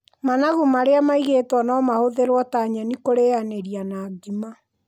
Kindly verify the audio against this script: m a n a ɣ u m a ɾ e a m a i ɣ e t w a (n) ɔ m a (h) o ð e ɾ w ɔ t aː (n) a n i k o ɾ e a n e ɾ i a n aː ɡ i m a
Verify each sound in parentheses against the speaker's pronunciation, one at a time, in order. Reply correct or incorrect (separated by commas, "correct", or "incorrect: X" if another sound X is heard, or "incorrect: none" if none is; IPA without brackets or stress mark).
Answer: correct, correct, incorrect: ɲ